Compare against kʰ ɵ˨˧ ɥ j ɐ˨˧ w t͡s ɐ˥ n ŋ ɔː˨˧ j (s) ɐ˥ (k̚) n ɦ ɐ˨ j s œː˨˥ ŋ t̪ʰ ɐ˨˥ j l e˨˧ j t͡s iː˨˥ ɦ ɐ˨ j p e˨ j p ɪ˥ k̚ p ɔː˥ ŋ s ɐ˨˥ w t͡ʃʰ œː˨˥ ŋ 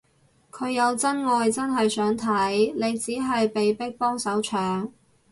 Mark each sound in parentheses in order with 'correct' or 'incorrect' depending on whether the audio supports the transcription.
incorrect: t͡s, incorrect: none

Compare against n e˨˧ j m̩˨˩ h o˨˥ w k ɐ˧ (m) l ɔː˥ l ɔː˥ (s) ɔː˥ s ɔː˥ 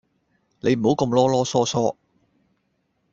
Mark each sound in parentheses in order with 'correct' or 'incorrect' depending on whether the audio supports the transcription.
correct, correct

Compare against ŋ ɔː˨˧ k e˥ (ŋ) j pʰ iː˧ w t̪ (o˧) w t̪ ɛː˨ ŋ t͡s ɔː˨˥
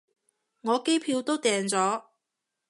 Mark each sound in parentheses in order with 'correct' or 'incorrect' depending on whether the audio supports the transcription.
incorrect: none, incorrect: o˥

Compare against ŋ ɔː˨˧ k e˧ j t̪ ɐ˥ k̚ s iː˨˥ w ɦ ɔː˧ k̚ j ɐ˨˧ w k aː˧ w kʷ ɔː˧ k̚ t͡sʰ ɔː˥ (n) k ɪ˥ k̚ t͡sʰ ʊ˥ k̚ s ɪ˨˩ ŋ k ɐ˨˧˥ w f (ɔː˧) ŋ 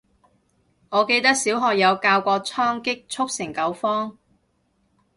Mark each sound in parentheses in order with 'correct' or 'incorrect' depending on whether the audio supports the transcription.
incorrect: ŋ, incorrect: ɔː˥

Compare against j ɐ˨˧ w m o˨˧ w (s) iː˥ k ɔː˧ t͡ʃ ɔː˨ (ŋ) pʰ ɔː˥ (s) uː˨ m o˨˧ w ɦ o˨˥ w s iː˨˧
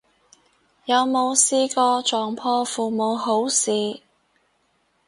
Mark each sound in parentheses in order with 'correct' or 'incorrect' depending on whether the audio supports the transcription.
correct, correct, incorrect: f

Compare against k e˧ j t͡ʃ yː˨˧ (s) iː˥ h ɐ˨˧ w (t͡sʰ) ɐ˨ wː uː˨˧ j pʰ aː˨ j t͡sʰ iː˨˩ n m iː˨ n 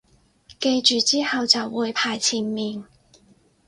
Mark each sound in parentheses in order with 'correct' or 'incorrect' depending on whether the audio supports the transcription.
incorrect: t͡s, incorrect: t͡s

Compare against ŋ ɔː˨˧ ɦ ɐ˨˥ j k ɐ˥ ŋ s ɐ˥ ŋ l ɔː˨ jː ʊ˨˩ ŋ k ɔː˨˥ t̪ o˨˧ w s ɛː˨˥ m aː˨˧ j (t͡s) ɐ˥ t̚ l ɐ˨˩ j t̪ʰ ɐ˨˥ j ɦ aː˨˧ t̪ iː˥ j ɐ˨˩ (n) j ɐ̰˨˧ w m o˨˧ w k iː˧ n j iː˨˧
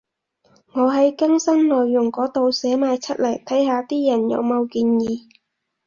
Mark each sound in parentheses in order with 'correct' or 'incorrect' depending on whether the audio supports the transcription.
incorrect: t͡sʰ, correct

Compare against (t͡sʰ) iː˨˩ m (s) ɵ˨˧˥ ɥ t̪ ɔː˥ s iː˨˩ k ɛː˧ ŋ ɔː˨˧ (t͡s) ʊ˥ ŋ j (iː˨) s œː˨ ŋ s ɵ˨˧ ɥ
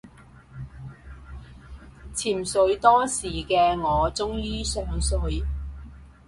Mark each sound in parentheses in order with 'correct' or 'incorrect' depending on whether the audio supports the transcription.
correct, correct, correct, incorrect: iː˥

